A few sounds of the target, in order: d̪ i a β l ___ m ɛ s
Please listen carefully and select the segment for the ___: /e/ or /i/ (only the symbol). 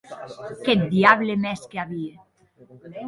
e